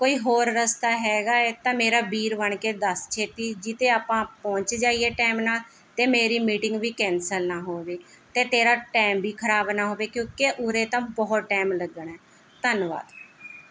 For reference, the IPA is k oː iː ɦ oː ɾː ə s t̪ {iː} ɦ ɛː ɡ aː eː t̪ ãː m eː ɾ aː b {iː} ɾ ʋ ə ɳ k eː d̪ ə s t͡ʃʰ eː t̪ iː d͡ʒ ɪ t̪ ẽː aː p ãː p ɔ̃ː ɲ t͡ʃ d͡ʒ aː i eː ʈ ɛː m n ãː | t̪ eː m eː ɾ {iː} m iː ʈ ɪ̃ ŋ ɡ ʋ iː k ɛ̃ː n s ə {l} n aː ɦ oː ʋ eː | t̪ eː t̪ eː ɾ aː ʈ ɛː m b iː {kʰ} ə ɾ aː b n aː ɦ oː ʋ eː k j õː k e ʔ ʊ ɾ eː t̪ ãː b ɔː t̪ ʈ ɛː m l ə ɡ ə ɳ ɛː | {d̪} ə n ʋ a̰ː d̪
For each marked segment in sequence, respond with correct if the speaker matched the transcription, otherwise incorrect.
incorrect: aː, correct, correct, correct, correct, incorrect: t̪

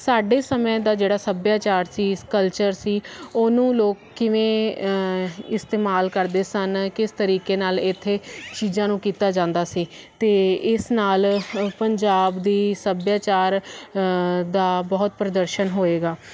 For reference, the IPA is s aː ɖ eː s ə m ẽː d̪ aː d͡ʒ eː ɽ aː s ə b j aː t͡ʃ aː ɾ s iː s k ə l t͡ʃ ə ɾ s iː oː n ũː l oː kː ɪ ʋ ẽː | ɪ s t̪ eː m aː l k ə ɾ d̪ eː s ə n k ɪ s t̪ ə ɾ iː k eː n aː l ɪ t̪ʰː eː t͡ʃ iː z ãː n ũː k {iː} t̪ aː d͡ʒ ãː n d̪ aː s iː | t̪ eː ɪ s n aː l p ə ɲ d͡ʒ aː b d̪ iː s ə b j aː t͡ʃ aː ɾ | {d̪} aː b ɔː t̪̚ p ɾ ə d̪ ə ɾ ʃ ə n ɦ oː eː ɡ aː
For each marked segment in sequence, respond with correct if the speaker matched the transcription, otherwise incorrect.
correct, correct

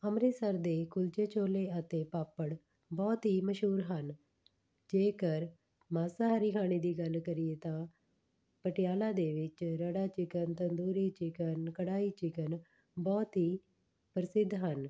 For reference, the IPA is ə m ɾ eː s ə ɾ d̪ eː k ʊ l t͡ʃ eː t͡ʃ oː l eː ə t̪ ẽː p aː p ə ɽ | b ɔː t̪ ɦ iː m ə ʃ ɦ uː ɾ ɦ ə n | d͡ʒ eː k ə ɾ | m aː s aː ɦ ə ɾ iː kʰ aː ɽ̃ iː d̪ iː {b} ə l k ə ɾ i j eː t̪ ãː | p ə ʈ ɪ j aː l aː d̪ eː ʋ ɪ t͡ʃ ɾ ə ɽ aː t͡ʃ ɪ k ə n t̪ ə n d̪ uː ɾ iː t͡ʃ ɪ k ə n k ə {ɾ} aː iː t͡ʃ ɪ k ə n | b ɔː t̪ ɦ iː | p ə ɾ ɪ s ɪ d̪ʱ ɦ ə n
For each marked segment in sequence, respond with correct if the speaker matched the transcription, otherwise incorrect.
incorrect: ɡ, incorrect: ɽ

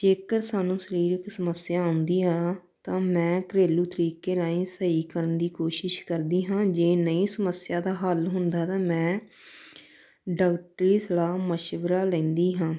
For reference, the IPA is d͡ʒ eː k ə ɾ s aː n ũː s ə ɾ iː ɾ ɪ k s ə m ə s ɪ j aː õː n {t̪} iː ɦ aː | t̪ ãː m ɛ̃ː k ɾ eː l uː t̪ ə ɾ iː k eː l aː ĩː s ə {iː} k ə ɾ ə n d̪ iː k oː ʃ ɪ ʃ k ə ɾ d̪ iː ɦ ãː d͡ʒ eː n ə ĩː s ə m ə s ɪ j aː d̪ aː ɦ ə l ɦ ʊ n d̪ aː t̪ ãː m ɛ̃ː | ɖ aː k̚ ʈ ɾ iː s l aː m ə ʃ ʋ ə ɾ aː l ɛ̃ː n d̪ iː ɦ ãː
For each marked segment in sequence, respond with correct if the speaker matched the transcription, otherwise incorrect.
incorrect: d̪, correct

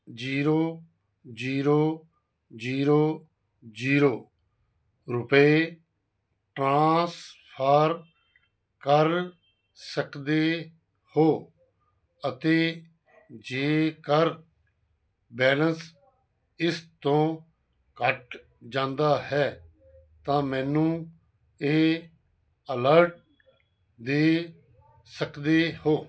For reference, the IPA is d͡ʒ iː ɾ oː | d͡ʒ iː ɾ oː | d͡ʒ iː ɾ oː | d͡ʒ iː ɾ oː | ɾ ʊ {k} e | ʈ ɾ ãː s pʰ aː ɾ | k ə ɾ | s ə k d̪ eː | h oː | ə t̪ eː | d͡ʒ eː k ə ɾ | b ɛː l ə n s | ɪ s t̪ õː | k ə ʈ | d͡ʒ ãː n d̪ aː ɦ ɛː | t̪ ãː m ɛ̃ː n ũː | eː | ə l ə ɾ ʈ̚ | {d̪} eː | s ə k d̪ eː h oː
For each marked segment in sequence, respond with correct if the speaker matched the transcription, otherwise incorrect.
incorrect: p, correct

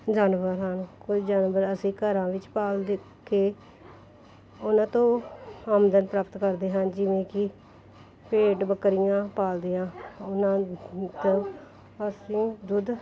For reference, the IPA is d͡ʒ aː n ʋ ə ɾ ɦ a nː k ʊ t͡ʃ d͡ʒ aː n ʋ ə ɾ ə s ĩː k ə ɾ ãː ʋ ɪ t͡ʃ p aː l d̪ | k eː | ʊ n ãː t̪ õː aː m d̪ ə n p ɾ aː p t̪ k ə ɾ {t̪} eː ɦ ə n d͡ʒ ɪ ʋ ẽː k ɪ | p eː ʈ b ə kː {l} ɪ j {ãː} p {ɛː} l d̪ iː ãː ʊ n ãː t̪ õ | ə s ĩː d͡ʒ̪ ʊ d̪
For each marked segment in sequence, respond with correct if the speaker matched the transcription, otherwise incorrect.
incorrect: d̪, incorrect: ɾ, correct, incorrect: aː

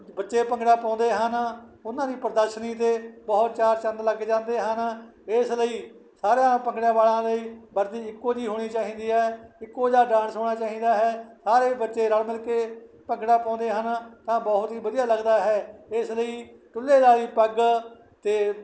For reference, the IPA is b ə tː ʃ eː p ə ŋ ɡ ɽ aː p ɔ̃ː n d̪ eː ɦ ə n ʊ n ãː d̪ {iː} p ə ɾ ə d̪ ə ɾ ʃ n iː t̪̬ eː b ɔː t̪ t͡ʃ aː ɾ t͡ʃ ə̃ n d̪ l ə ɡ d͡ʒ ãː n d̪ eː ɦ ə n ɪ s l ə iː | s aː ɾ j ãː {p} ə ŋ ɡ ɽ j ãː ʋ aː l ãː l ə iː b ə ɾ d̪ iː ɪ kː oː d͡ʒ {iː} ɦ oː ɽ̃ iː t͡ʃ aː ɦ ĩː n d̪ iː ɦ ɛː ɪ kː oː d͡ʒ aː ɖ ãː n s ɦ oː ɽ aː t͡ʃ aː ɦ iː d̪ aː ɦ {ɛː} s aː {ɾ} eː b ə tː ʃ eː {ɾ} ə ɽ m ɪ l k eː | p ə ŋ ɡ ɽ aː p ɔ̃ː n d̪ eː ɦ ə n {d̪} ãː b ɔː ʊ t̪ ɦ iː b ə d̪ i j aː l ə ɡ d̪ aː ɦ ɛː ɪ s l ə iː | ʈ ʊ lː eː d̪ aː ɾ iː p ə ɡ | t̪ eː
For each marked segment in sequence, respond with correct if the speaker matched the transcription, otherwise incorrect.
correct, correct, correct, correct, correct, correct, incorrect: t̪

